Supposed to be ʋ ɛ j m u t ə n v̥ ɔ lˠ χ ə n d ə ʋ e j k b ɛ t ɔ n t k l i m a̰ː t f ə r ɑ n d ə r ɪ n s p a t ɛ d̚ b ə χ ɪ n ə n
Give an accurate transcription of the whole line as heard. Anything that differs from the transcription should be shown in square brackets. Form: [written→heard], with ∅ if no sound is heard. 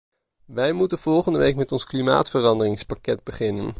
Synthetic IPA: ʋ ɛ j m u t ə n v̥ ɔ lˠ χ ə n d ə ʋ e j k [b→m] ɛ t ɔ n [t→s] k l i m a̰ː t f ə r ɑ n d ə r ɪ [n→ŋ] s p a [t→k] ɛ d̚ b ə χ ɪ n ə n